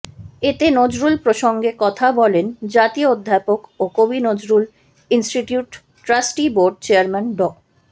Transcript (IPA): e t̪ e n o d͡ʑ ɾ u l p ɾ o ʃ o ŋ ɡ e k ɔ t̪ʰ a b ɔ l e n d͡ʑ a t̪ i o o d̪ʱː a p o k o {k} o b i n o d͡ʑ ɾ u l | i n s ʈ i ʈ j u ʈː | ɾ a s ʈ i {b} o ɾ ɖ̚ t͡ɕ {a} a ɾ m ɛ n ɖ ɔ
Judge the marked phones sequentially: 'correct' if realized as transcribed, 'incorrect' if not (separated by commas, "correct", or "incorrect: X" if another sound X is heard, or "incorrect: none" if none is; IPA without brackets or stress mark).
correct, correct, incorrect: e